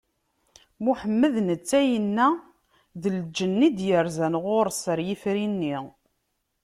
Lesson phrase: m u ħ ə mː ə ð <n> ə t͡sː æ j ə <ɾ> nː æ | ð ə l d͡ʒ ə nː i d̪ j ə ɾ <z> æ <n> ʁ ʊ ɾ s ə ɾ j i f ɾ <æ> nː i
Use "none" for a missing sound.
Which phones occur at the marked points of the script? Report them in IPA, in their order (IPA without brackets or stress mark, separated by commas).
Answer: n, none, z, n, i